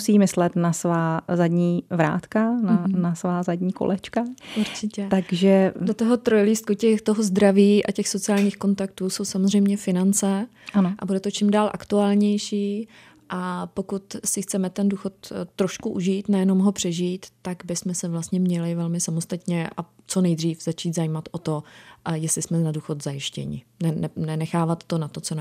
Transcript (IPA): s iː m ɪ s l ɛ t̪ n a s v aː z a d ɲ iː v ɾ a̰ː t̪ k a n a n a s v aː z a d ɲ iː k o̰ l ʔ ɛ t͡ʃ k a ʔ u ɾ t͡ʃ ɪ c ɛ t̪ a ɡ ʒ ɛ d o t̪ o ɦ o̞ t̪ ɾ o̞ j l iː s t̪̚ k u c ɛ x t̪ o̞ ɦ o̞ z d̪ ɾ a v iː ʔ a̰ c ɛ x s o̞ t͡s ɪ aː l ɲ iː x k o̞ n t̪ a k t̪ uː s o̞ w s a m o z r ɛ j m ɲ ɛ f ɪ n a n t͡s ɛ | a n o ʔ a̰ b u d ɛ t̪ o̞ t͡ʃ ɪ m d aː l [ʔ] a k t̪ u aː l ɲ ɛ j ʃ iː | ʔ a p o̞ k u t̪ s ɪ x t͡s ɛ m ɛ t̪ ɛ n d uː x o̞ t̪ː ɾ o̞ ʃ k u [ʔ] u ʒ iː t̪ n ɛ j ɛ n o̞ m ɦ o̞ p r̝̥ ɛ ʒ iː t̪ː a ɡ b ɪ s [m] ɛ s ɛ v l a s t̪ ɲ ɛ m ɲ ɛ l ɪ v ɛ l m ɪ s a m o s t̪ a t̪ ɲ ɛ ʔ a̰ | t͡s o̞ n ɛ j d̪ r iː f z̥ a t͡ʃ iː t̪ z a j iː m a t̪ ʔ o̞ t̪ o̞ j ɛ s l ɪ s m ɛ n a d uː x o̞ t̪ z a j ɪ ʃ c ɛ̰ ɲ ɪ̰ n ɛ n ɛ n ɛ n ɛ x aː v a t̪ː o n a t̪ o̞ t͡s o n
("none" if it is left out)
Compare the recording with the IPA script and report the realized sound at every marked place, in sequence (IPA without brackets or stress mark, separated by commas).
ʔ, ʔ, m